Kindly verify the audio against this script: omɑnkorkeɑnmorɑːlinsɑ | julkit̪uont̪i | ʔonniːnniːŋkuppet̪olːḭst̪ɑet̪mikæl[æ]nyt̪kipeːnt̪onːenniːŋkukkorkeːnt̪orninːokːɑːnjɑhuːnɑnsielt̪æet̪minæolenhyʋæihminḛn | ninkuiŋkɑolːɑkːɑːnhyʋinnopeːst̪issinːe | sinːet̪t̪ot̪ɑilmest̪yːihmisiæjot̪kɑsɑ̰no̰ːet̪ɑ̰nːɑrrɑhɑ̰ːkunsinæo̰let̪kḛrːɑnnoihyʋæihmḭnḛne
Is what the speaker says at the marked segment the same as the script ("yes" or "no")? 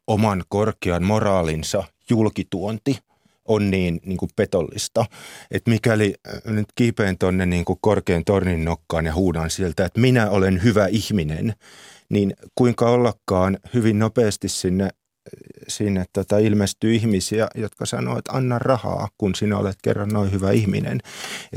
no